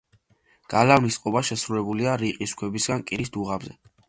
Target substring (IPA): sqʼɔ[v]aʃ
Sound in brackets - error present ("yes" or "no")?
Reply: yes